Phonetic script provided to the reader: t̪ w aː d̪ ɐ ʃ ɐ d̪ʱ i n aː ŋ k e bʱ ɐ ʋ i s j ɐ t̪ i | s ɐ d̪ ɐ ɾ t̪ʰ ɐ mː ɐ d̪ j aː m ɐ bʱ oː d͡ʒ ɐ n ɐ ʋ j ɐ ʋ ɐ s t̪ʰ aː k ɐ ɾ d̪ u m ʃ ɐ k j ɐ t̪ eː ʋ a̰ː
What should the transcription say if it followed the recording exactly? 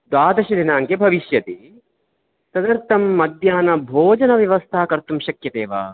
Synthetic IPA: d̪ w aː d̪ ɐ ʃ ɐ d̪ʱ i n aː ŋ k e bʱ ɐ ʋ i ʃ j ɐ t̪ i | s ɐ d̪ ɐ ɾ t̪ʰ ɐ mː ɐ d̪ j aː n ɐ bʱ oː d͡ʒ ɐ n ɐ ʋ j ɐ ʋ ɐ s t̪ʰ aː k ɐ ɾ t̪ u m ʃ ɐ k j ɐ t̪ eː ʋ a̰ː